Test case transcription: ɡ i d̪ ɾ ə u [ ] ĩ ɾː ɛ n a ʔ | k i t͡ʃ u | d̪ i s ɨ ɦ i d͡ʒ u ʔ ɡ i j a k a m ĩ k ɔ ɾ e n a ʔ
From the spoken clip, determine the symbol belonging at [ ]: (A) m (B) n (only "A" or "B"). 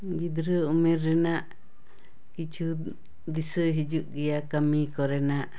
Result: A